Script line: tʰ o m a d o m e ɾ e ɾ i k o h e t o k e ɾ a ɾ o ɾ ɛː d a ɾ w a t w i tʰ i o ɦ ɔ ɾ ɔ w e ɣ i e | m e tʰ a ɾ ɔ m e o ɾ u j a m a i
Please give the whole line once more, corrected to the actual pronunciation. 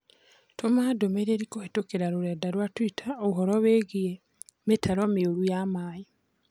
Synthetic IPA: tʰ o m a d o m e ɾ e ɾ i k o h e t o k e ɾ a ɾ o ɾ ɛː d a ɾ w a t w i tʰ a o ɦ ɔ ɾ ɔ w e ɣ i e | m e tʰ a ɾ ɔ m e o ɾ u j a m a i